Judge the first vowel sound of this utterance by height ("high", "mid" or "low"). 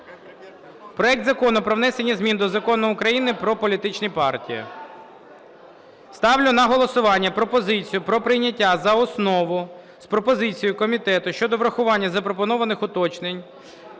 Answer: mid